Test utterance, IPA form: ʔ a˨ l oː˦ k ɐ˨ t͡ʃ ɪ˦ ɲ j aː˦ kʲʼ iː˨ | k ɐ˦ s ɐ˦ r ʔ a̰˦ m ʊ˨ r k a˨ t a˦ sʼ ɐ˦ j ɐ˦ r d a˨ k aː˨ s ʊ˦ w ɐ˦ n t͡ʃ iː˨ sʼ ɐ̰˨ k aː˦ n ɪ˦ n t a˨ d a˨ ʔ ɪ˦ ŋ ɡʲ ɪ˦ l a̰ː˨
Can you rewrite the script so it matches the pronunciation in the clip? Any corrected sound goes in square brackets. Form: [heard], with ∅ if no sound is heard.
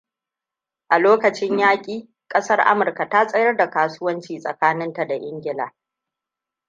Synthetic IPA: ʔ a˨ l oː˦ k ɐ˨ t͡ʃ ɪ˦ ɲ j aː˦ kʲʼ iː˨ | [kʼ] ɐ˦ s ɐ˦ r ʔ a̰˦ m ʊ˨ r k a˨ t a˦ sʼ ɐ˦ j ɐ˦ r d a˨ k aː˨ s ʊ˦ w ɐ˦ n t͡ʃ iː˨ sʼ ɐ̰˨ k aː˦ n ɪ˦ n t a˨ d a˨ ʔ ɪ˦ ŋ ɡʲ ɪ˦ l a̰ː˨